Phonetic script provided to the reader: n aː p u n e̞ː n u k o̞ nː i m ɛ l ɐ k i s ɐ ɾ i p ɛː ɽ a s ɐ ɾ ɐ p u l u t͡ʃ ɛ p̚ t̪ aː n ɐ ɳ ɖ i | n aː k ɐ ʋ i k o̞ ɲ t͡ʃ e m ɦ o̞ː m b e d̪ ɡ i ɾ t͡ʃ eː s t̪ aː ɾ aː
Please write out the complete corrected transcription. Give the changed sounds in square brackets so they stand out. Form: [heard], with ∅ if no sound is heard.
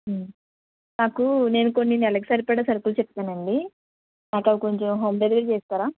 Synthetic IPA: n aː [k] u n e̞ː n u k o̞ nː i [n] ɛ l ɐ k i s ɐ ɾ i p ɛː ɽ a s ɐ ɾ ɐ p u l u t͡ʃ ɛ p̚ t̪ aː n ɐ ɳ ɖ i | n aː k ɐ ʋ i k o̞ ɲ t͡ʃ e m ɦ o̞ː m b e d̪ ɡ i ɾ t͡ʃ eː s t̪ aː ɾ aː